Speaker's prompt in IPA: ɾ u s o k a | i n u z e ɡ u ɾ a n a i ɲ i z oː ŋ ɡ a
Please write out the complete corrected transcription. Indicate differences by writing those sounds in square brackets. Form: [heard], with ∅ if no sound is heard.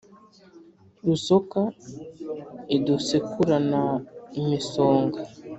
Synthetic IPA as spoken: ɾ u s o k a | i [d] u [s] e [k] u ɾ a n a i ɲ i [s] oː ŋ ɡ a